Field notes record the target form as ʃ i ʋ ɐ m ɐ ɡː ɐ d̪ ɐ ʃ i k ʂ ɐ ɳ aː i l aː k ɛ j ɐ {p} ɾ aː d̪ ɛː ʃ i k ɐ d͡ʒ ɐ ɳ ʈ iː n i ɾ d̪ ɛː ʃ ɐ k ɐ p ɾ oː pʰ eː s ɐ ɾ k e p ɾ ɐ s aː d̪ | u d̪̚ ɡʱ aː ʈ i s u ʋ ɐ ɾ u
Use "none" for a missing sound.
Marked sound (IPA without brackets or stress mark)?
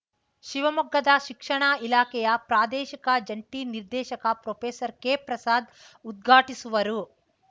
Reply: p